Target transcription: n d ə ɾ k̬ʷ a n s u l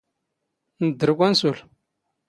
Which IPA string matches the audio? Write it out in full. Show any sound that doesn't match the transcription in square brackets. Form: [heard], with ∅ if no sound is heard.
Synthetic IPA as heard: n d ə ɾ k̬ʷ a n s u l